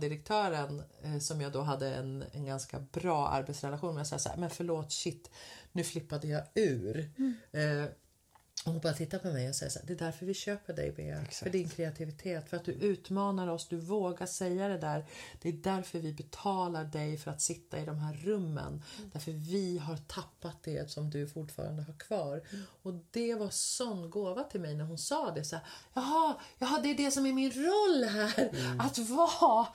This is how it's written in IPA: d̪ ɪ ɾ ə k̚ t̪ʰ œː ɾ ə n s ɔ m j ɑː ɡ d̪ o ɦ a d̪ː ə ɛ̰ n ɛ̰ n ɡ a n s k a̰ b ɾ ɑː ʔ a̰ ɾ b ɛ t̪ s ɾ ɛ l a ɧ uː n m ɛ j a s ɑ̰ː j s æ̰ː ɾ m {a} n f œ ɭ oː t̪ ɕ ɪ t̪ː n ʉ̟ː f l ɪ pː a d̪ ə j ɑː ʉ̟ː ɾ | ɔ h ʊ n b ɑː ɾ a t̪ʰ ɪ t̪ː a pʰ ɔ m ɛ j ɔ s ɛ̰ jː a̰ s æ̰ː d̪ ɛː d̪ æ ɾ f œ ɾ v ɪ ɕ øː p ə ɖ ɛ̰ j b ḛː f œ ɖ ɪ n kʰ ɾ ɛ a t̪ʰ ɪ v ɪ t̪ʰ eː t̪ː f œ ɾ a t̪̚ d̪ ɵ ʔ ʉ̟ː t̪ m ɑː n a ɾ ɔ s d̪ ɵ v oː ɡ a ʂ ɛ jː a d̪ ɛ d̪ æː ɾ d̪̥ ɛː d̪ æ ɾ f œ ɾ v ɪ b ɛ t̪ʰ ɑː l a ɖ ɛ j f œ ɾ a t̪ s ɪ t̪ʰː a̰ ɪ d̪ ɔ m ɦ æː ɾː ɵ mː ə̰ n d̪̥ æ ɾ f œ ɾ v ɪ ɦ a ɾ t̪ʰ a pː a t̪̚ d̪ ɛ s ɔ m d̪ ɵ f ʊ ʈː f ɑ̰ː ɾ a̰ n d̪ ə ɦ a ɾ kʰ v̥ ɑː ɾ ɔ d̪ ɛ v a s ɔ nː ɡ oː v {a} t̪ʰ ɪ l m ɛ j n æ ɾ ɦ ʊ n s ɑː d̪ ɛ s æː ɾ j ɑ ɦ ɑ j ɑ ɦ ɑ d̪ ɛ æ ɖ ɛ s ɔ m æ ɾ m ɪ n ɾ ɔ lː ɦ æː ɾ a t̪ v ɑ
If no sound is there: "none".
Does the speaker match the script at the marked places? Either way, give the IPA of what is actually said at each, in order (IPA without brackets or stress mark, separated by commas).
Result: ɛ, a